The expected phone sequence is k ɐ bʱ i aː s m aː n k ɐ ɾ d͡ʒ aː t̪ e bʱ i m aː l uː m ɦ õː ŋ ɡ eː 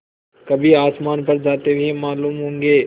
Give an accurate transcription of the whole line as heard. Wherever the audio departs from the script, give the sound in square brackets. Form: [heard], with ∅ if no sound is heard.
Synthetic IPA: k ɐ bʱ i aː s m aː n [p] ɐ ɾ d͡ʒ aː t̪ e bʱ i m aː l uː m ɦ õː ŋ ɡ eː